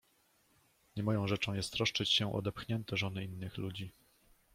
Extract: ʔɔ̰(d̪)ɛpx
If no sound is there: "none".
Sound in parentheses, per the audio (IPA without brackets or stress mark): d̪